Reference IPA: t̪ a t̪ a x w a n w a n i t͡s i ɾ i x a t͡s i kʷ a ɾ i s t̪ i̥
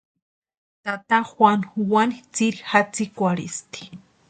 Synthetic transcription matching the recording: t̪ a t̪ a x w a n w a n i t͡s i ɾ i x a t͡s i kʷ a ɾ i s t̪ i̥